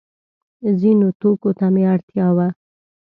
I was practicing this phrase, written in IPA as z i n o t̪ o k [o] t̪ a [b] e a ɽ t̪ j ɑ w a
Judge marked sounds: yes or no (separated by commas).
yes, no